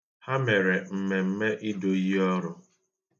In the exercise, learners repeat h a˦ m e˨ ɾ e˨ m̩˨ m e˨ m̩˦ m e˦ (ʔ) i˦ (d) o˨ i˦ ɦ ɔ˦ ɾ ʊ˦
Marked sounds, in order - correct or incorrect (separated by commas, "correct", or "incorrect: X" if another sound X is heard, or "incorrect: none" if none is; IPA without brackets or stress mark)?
correct, correct